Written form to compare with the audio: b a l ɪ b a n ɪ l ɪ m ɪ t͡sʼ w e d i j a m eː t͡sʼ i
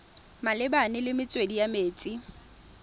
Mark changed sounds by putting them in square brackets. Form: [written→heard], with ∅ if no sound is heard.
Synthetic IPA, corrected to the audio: [b→m] a l ɪ b a n ɪ l ɪ m ɪ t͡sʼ w e d i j a m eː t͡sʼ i